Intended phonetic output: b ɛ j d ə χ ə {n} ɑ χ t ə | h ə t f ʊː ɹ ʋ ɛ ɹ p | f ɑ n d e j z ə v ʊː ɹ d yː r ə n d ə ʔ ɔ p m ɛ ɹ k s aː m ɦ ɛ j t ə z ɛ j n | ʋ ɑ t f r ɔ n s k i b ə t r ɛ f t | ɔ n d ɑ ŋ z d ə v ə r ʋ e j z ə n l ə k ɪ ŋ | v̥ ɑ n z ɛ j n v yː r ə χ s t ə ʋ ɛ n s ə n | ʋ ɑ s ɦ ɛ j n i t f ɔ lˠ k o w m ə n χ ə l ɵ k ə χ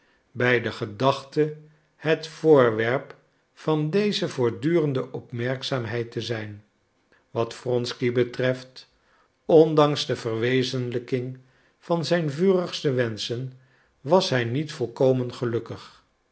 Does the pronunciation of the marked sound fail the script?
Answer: yes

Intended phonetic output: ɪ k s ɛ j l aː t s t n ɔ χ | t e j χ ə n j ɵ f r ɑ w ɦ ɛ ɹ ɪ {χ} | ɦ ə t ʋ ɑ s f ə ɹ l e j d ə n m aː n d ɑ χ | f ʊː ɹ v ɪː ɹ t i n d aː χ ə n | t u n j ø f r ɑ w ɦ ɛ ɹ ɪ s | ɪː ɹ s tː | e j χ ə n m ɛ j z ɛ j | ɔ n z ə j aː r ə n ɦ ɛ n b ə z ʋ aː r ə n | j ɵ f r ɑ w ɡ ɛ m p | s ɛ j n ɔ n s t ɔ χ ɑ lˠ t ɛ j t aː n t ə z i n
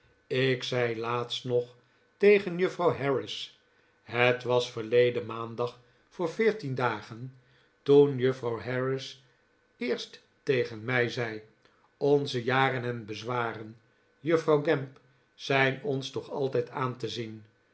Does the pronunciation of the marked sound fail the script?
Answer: yes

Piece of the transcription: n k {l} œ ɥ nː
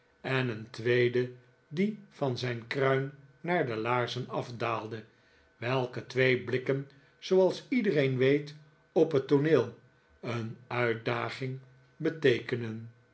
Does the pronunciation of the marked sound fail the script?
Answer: yes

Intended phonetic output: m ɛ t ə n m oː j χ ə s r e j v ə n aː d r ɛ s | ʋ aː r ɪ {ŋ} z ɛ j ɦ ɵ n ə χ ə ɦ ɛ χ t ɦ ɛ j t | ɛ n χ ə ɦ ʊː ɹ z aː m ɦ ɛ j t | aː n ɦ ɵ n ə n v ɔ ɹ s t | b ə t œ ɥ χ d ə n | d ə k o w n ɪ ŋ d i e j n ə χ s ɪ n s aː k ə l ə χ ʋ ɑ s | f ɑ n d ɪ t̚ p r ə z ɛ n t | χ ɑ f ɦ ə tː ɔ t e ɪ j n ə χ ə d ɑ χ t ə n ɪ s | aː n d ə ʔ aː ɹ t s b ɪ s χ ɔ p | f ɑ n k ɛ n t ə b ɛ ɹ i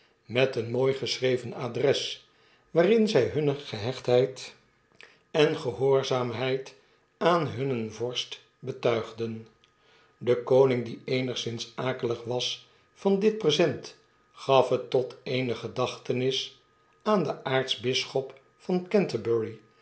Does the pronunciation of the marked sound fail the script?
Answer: yes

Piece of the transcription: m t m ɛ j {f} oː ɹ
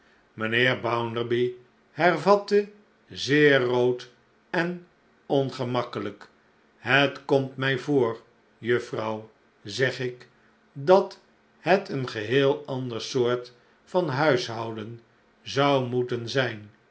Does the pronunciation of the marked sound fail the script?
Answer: yes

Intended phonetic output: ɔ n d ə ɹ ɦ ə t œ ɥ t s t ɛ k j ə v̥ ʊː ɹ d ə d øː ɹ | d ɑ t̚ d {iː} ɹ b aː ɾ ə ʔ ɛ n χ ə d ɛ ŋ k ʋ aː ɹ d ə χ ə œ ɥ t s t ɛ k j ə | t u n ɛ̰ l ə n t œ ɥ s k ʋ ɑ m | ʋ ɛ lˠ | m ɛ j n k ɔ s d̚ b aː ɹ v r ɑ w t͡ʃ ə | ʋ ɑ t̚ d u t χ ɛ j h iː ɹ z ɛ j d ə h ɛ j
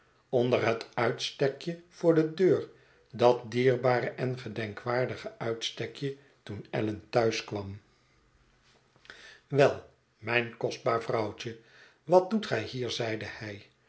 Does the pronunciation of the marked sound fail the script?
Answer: no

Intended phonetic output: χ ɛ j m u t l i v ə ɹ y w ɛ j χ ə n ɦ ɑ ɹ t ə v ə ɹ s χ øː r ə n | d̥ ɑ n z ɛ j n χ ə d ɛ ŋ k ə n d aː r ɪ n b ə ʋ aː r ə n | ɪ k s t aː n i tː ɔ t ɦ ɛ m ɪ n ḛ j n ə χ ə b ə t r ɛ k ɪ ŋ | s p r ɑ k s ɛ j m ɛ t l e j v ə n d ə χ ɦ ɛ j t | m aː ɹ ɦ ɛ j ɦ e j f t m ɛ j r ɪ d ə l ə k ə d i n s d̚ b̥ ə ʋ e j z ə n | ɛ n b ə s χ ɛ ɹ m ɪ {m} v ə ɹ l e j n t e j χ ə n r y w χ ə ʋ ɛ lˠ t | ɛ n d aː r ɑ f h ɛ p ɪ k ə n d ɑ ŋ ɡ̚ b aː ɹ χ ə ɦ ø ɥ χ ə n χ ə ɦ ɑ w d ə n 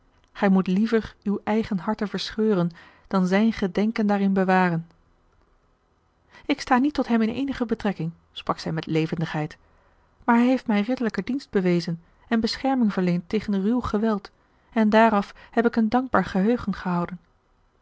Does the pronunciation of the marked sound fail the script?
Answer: yes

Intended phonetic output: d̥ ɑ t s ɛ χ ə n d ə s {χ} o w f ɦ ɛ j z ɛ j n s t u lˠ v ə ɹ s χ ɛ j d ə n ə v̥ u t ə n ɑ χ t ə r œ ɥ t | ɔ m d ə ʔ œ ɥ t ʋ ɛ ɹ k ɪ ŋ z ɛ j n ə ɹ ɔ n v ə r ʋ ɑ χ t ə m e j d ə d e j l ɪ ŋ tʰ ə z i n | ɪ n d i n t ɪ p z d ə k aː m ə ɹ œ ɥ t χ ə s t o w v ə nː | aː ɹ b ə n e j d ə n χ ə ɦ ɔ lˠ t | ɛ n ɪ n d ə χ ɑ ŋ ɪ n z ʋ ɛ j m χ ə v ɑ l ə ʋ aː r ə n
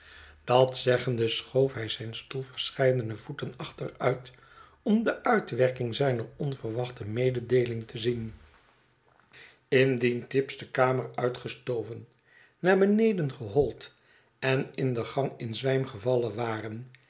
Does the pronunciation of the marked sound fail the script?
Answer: no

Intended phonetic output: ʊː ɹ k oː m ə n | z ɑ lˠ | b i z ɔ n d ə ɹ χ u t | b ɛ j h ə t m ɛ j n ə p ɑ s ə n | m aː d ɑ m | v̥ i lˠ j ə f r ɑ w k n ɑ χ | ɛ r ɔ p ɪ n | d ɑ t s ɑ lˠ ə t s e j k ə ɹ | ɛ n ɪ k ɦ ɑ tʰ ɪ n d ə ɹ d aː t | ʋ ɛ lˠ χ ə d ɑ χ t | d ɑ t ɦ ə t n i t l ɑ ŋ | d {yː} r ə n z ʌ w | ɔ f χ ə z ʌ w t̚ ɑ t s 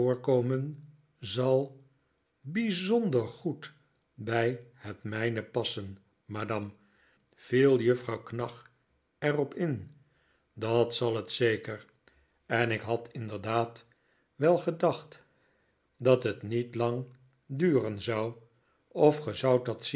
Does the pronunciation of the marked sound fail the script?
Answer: no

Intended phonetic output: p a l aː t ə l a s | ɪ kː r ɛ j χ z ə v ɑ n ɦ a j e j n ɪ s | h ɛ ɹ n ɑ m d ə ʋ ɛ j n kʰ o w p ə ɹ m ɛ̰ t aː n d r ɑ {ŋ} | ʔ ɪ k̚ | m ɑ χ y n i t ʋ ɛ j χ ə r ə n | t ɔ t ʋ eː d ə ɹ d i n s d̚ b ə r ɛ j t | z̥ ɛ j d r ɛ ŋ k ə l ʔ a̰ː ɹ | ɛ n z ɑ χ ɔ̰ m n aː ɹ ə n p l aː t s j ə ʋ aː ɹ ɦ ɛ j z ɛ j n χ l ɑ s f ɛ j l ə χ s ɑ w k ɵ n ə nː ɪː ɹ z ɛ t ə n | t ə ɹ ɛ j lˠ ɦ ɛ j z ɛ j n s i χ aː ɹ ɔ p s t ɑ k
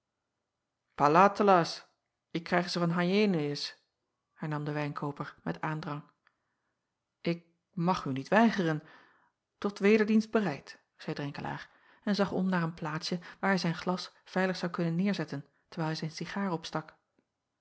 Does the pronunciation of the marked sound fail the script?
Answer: no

